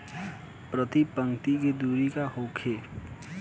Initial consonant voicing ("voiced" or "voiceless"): voiceless